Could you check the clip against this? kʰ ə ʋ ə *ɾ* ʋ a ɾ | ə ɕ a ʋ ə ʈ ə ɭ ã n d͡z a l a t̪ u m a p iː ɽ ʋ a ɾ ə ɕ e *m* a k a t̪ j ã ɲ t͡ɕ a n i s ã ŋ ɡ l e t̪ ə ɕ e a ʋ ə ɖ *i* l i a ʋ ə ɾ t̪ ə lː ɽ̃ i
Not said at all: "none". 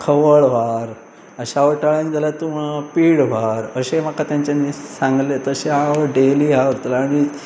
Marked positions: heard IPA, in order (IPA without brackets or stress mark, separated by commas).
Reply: ɭ, m, e